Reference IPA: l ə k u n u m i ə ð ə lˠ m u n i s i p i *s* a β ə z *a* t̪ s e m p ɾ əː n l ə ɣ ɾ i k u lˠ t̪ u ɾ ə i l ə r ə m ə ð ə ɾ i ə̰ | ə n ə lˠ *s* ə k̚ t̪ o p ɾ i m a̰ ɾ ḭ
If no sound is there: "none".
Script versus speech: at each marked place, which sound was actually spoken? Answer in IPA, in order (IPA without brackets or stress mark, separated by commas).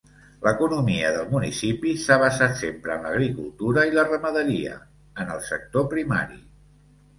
s, a, s